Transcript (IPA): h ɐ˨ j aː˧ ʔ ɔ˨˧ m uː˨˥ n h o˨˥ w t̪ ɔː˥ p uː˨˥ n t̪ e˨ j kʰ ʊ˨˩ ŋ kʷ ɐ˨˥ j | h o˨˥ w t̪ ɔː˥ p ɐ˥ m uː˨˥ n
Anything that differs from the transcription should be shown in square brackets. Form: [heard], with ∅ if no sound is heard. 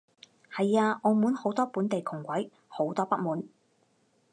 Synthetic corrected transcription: h ɐ˨ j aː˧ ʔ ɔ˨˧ m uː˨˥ n h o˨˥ w t̪ ɔː˥ p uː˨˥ n t̪ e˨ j kʰ ʊ˨˩ ŋ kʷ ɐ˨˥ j | h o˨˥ w t̪ ɔː˥ p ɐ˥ m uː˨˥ n